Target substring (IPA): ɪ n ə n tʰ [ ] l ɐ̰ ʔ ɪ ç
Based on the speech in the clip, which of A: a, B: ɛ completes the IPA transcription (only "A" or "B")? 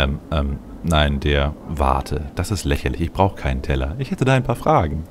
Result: B